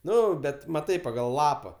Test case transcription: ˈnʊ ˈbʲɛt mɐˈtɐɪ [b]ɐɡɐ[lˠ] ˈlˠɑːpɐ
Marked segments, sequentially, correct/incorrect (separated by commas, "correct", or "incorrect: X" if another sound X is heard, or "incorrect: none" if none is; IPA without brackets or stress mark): incorrect: p, correct